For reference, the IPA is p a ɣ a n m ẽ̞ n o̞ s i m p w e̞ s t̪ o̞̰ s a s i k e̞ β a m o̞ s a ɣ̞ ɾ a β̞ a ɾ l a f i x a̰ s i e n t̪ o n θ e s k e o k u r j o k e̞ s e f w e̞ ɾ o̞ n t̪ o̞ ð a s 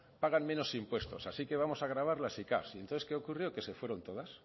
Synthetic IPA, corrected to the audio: p a ɣ a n m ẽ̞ n o̞ s i m p w e̞ s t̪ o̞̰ s a s i k e̞ β a m o̞ s a ɣ̞ ɾ a β̞ a ɾ l a s i k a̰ s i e n t̪ o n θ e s k e o k u r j o k e̞ s e f w e̞ ɾ o̞ n t̪ o̞ ð a s